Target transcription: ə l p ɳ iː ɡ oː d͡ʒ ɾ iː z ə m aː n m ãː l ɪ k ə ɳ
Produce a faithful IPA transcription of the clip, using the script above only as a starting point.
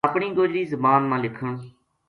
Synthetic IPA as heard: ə p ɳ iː ɡ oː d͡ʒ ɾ iː z ə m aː n m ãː l ɪ kʰ ə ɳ

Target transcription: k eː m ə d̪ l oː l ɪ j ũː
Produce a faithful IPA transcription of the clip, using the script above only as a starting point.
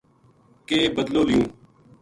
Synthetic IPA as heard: k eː b ə d̪ l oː l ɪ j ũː

